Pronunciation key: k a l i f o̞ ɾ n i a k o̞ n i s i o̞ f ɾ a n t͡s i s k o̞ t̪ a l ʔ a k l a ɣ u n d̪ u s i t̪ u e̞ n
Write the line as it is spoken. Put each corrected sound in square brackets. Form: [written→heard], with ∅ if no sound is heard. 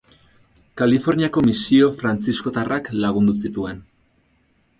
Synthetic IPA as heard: k a l i f o̞ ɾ n i a k o̞ [n→m] i s i o̞ f ɾ a n t͡s i s k o̞ t̪ a [l→r] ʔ a k l a ɣ u n d̪ u s i t̪ u e̞ n